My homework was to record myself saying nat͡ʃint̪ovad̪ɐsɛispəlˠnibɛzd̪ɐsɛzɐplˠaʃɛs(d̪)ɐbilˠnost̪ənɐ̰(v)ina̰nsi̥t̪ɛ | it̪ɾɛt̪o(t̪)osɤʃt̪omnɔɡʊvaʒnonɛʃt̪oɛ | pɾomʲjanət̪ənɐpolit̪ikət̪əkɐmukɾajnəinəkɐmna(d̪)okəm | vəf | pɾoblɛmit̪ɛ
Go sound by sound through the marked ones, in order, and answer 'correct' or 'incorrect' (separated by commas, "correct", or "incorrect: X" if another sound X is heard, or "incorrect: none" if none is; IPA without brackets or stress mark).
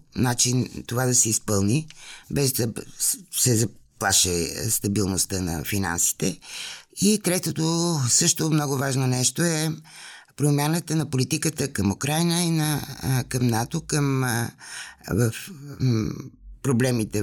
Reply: incorrect: t̪, incorrect: f, correct, incorrect: t̪